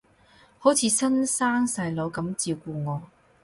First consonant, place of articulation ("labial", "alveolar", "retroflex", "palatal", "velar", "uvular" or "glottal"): glottal